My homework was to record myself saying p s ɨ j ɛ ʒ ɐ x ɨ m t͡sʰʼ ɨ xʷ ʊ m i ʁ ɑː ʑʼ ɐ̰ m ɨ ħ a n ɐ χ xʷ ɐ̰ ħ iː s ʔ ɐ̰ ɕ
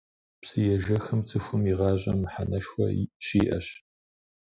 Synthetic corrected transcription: p s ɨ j ɛ ʒ ɐ x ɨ m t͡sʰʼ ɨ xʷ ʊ m i ʁ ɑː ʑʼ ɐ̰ m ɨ ħ a n ɐ ʃ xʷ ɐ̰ ɕ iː ʔ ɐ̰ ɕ